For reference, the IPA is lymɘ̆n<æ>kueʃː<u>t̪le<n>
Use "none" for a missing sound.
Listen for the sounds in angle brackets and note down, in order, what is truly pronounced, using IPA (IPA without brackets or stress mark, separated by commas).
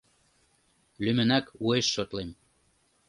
æ, o, m